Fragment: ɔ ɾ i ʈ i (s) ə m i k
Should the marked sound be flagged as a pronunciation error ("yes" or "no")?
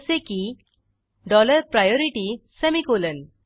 no